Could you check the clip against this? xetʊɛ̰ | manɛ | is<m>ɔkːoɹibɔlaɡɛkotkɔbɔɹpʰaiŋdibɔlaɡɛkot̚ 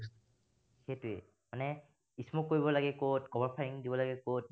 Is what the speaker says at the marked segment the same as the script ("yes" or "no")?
yes